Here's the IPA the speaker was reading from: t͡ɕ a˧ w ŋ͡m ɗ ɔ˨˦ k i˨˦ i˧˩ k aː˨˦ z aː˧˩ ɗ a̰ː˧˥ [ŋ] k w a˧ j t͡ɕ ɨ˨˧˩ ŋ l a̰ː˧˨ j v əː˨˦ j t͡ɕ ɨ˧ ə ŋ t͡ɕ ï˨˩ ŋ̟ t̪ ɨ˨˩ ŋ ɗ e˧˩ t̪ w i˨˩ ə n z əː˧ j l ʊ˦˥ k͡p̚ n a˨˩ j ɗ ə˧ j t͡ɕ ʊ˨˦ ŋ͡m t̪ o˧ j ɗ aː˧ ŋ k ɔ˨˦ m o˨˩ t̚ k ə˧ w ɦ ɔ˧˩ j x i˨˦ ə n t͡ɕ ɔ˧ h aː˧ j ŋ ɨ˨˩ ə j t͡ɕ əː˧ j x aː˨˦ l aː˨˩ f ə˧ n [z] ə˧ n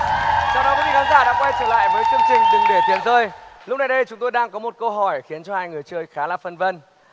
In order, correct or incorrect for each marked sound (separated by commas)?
correct, incorrect